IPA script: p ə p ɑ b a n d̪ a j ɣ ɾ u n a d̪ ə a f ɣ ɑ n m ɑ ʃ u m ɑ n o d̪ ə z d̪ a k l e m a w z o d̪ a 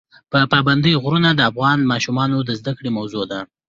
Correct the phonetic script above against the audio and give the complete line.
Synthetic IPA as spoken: p ə p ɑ b a n d̪ ə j ɣ ɾ u n a d̪ ə a f ɣ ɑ n m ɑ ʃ u m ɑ n o d̪ ə z d̪ a k ɽ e m a w z o d̪ a